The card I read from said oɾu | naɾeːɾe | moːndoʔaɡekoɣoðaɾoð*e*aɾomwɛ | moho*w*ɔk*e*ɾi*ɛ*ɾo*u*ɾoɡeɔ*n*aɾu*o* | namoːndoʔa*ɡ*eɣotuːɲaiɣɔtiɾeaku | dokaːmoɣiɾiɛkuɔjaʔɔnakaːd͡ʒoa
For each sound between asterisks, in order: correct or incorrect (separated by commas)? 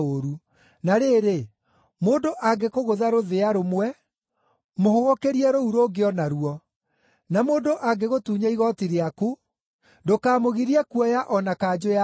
correct, incorrect, correct, correct, correct, correct, incorrect, correct